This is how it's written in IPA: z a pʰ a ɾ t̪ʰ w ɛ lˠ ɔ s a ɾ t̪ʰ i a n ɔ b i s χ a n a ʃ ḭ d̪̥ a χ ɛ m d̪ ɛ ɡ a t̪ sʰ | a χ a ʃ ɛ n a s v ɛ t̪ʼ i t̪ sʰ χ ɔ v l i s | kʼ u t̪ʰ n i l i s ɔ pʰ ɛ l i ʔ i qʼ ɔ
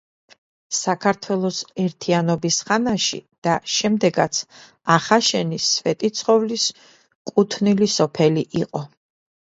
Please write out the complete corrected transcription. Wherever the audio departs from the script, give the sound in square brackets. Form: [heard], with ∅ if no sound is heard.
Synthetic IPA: [s] a [kʰ] a ɾ t̪ʰ w ɛ lˠ ɔ s [ɛ] ɾ t̪ʰ i a n ɔ b i s χ a n a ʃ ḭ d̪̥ a [ʃ] ɛ m d̪ ɛ ɡ a t̪ sʰ | a χ a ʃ ɛ n [i] s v ɛ t̪ʼ i t̪ sʰ χ ɔ v l i s | kʼ u t̪ʰ n i l i s ɔ pʰ ɛ l i ʔ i qʼ ɔ